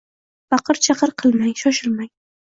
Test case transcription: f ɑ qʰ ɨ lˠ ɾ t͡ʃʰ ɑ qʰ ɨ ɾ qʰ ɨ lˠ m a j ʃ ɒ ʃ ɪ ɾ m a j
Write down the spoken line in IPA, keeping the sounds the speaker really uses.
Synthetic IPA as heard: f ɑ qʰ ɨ ɾ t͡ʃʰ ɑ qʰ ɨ ɾ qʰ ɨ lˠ m a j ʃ ɒ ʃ ɪ ɾ m a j